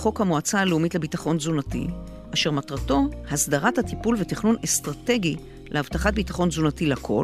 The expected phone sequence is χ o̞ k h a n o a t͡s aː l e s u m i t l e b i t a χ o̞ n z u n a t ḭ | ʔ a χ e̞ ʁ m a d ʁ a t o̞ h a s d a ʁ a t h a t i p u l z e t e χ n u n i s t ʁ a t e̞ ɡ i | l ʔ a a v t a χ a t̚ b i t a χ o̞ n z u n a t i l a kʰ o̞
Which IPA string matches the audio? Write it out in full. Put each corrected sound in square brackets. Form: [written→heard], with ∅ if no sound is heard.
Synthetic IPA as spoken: χ o̞ k h a [n→m] o a t͡s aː l e [s→∅] u m i t l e b i t a χ o̞ n z u n a t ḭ | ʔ a [χ→ʃ] e̞ ʁ m a [d→t] ʁ a t o̞ h a s d a ʁ a t h a t i p u l [z→v] e t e χ n u n [i→e] s t ʁ a t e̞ ɡ i | l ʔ [a→e] a v t a χ a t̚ b i t a χ o̞ n z u n a t i l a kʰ o̞